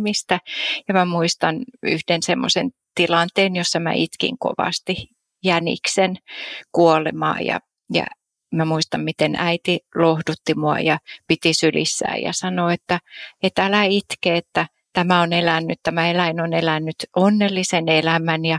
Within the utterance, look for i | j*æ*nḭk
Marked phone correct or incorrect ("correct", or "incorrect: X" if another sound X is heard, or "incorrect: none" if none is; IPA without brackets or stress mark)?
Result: correct